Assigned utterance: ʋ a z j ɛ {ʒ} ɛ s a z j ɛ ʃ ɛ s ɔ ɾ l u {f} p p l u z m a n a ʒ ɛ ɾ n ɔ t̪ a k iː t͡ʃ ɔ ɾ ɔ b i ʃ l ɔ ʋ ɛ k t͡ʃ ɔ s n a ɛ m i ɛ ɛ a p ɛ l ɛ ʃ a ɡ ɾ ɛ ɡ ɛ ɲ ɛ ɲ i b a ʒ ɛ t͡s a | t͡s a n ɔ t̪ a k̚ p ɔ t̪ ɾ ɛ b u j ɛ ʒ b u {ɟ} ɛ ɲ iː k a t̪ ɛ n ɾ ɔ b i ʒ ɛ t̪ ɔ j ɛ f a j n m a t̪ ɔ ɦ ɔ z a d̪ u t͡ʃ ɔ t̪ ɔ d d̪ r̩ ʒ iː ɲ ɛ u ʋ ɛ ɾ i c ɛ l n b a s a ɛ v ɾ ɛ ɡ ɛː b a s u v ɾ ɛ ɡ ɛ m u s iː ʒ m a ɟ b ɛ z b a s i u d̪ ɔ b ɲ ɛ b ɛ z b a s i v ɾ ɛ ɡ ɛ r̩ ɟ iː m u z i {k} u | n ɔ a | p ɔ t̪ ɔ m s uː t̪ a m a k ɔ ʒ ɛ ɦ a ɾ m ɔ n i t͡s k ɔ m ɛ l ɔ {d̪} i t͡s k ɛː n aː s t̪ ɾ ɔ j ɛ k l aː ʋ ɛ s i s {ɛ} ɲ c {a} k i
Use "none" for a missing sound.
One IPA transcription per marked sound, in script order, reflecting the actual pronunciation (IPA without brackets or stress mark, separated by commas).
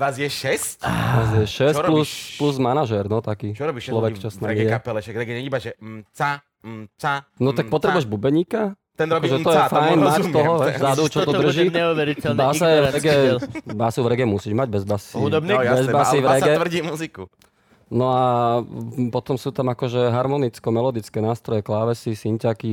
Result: ʃ, s, b, k, d̪, i, a